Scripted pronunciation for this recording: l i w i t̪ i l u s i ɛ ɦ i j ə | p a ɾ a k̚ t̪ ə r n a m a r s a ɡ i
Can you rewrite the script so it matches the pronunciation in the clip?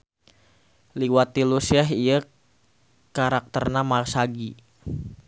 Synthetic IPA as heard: l i w a t̪ i l u s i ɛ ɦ i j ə | k a ɾ a k̚ t̪ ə r n a m a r s a ɡ i